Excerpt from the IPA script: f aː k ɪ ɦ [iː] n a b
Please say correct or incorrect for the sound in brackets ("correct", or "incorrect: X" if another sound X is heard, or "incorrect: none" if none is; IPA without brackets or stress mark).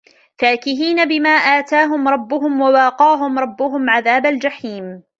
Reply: correct